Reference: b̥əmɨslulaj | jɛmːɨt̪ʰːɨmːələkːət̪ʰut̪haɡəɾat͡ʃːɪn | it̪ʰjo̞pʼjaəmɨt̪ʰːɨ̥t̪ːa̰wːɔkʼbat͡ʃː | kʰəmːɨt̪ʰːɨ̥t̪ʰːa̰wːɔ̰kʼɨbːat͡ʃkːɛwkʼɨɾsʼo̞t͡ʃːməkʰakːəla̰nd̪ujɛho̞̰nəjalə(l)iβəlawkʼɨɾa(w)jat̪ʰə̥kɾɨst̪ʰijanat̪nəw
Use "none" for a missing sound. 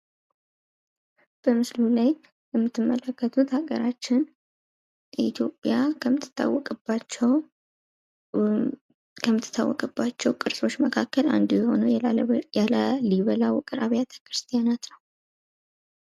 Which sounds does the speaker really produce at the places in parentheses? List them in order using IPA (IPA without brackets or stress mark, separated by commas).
l, β